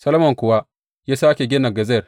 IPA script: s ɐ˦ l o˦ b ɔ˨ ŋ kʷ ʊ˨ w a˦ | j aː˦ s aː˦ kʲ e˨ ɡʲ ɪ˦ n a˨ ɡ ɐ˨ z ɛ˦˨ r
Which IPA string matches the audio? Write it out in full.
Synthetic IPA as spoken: s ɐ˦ l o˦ m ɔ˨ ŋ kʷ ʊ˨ w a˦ | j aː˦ s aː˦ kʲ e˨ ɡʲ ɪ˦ n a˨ ɡ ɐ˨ z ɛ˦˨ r